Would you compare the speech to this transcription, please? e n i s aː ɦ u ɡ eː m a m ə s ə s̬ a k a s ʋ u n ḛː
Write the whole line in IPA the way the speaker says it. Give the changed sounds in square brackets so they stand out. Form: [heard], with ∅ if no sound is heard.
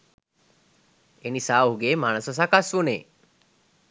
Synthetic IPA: e n i s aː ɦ u ɡ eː m a [n] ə s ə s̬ a k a s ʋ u n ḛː